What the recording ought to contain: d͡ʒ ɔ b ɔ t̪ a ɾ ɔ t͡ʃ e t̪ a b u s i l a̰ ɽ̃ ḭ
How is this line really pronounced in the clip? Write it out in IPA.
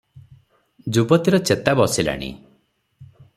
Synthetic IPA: d͡ʒ u b ɔ t̪ i ɾ ɔ t͡ʃ e t̪ a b ɔ s i l a̰ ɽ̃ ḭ